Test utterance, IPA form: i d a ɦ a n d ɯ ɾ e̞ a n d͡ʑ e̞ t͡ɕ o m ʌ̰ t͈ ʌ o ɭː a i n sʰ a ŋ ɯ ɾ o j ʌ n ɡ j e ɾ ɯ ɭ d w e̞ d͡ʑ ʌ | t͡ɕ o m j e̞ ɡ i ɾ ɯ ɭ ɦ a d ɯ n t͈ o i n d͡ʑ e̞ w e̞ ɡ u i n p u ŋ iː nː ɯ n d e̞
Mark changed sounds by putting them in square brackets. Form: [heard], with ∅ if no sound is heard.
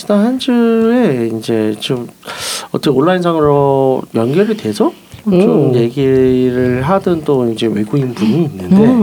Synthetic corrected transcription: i d a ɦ a n [d͡ʑ] ɯ ɾ e̞ [i] n d͡ʑ e̞ t͡ɕ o m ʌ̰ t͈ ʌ o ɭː a i n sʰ a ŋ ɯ ɾ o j ʌ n ɡ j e ɾ ɯ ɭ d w e̞ d͡ʑ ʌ | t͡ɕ o m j e̞ ɡ i ɾ ɯ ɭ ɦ a d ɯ n t͈ o i n d͡ʑ e̞ w e̞ ɡ u i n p u [ɲ] iː nː ɯ n d e̞